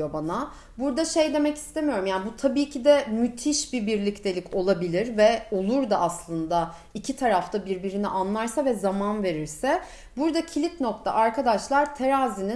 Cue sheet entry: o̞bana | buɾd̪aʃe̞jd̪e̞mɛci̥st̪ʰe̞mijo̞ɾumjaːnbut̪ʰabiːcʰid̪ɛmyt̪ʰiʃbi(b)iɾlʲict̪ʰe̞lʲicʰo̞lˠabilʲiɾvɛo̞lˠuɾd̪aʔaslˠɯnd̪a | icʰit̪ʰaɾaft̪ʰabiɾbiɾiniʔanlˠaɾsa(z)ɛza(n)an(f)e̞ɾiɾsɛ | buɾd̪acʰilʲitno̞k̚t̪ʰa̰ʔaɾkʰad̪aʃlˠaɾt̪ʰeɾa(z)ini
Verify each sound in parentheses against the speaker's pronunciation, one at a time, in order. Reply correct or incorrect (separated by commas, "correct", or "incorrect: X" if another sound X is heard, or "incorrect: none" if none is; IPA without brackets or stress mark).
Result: correct, incorrect: v, incorrect: m, incorrect: v, correct